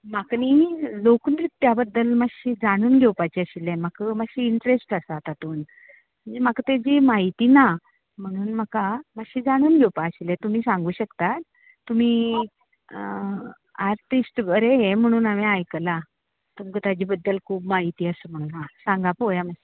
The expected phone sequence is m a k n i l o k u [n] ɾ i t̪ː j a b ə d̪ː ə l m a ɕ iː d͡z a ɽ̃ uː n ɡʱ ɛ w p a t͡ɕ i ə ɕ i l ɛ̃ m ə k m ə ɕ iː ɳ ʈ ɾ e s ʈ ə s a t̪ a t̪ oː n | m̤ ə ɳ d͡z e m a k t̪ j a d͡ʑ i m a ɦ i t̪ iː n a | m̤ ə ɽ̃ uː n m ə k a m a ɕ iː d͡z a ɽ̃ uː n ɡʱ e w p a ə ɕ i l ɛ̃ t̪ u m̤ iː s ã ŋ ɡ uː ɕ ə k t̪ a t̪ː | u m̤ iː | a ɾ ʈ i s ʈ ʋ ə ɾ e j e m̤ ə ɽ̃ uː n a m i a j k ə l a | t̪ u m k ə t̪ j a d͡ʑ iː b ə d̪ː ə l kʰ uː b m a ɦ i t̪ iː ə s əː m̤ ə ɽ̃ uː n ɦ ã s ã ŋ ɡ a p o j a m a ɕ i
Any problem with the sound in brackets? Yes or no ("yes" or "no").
no